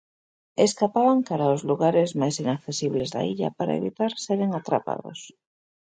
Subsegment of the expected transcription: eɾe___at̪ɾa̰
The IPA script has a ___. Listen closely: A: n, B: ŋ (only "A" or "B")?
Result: B